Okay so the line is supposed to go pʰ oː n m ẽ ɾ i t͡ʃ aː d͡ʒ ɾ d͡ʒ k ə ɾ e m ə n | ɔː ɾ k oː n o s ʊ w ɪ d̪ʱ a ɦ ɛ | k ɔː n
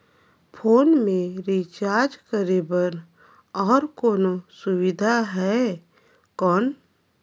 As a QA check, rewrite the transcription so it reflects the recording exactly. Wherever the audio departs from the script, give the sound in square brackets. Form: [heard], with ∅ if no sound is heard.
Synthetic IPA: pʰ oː n m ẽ ɾ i t͡ʃ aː [∅] ɾ d͡ʒ k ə ɾ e [b] ə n | ɔː ɾ k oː n o s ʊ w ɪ d̪ʱ a ɦ ɛ | k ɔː n

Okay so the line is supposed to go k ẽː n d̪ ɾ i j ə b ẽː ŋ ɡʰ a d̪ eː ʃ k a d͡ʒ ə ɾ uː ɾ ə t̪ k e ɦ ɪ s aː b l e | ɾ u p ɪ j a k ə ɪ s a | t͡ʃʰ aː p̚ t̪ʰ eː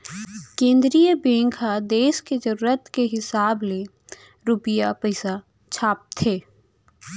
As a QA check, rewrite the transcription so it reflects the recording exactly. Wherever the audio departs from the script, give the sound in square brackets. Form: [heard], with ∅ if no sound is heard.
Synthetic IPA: k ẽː n d̪ ɾ i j ə b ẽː ŋ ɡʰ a d̪ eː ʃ k [e] d͡ʒ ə ɾ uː ɾ ə t̪ k e ɦ ɪ s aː b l e | ɾ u p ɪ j a [p] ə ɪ s a | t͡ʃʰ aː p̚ t̪ʰ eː

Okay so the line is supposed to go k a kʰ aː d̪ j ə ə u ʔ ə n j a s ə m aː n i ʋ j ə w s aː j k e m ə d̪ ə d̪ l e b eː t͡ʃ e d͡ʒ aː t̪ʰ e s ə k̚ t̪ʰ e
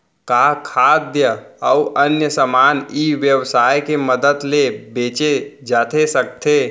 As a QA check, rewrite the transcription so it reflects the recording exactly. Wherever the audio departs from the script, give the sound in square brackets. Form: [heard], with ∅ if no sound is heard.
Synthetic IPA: k a kʰ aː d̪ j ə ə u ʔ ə n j [ə] s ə m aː n i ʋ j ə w s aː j k e m ə d̪ ə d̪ l e b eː t͡ʃ e d͡ʒ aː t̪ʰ e s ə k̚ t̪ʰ e

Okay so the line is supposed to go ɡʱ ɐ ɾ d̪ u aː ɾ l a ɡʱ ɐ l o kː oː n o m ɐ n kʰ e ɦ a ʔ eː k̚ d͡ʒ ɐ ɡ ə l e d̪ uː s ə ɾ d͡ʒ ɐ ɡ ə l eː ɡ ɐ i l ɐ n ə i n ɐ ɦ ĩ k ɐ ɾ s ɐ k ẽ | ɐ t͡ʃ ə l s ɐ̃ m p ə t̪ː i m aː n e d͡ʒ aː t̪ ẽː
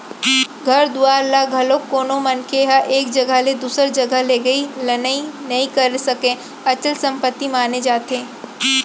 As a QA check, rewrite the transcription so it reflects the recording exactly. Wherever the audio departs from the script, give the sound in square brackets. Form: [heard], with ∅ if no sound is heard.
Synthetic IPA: ɡʱ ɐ ɾ d̪ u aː ɾ l a ɡʱ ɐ l o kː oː n o m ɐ n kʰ e ɦ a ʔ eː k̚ d͡ʒ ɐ ɡ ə l e d̪ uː s ə ɾ d͡ʒ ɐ ɡ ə l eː ɡ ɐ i l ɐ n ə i n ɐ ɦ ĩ k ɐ ɾ s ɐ k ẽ | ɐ t͡ʃ ə l s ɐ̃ m p ə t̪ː i m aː n e d͡ʒ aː t̪ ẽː

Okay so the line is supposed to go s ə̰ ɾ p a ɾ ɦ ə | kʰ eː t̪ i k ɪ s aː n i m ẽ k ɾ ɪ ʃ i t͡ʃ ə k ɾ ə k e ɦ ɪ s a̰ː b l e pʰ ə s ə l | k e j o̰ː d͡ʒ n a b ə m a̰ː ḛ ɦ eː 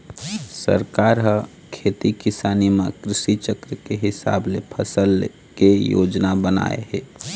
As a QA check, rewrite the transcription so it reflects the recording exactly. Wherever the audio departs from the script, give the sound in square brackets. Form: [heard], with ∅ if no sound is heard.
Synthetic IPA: s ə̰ ɾ [k] a ɾ ɦ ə | kʰ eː t̪ i k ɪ s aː n i m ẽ k ɾ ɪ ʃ i t͡ʃ ə k ɾ ə k e ɦ ɪ s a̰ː b l e pʰ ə s ə l | k e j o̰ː d͡ʒ n a b ə [n] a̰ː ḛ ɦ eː

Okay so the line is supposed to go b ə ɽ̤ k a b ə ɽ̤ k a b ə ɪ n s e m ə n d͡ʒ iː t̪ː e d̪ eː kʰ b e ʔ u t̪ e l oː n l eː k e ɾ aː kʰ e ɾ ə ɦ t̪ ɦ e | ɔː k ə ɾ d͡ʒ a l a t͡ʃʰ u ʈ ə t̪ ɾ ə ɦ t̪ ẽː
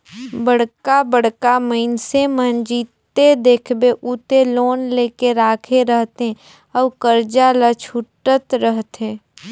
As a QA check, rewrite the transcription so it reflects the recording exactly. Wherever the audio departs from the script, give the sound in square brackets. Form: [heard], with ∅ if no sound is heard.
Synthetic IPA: b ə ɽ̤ k a b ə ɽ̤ k a [m] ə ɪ n s e m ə n d͡ʒ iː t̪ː e d̪ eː kʰ b e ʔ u t̪ e l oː n l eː k e ɾ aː kʰ e ɾ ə ɦ t̪ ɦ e | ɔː k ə ɾ d͡ʒ a l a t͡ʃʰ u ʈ ə t̪ ɾ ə ɦ t̪ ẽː

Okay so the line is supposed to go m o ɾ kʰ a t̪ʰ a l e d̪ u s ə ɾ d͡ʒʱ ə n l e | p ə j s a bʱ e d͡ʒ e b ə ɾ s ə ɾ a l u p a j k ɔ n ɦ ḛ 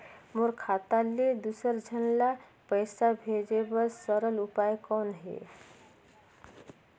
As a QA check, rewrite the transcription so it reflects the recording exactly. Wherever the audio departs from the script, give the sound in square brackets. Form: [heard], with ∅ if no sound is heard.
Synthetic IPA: m o ɾ kʰ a [t̪] a l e d̪ u s ə ɾ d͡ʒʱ ə n l [a] | p ə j s a bʱ e d͡ʒ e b ə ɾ s ə ɾ [ə] l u p a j k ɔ n ɦ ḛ

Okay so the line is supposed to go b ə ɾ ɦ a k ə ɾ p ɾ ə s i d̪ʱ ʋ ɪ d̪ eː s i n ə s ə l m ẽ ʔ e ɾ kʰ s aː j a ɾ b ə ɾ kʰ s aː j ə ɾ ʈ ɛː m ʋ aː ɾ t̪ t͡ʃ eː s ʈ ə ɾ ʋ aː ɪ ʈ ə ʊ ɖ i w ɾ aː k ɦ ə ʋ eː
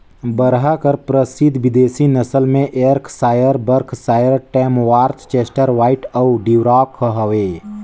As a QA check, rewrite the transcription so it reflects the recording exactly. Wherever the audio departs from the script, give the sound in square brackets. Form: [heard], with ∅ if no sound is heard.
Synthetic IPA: b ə ɾ ɦ a k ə ɾ p ɾ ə s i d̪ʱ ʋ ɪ d̪ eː s i n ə s ə l m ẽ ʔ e ɾ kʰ s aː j [ə] ɾ b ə ɾ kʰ s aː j ə ɾ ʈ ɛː m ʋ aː ɾ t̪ t͡ʃ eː s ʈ ə ɾ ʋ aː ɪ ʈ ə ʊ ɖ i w ɾ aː k ɦ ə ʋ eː

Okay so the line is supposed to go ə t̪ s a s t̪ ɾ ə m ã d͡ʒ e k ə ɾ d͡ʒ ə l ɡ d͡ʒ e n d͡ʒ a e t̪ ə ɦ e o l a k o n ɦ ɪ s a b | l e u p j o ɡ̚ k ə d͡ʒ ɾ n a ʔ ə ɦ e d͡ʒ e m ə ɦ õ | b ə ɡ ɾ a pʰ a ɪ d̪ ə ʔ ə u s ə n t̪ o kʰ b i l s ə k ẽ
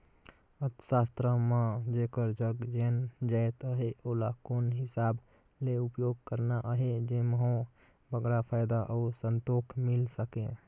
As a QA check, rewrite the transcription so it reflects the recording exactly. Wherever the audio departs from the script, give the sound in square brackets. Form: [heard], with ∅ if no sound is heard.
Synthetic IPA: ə t̪ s a s t̪ ɾ ə m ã d͡ʒ e k ə ɾ d͡ʒ ə [∅] ɡ d͡ʒ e n d͡ʒ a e t̪ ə ɦ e o l a k o n ɦ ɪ s a b | l e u p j o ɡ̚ k ə [∅] ɾ n a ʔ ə ɦ e d͡ʒ e m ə ɦ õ | b ə ɡ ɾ a pʰ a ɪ d̪ [a] ʔ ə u s ə n t̪ o kʰ [m] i l s ə k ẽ

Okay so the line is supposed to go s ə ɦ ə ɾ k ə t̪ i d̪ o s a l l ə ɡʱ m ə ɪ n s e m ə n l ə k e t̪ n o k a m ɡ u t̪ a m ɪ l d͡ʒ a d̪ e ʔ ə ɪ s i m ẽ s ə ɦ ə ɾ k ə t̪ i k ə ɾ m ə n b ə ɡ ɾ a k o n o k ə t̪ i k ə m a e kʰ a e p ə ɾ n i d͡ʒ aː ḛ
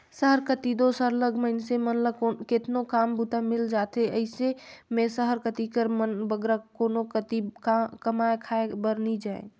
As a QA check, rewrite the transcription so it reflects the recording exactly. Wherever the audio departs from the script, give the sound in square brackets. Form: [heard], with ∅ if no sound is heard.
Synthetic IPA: s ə ɦ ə ɾ k ə t̪ i d̪ o s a [ɾ] l ə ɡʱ m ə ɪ n s e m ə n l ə k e t̪ n o k a m [b] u t̪ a m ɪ l d͡ʒ a [t̪] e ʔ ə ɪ s [e] m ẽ s ə ɦ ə ɾ k ə t̪ i k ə ɾ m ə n b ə ɡ ɾ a k o n o k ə t̪ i k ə m a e kʰ a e [b] ə ɾ n i d͡ʒ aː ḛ

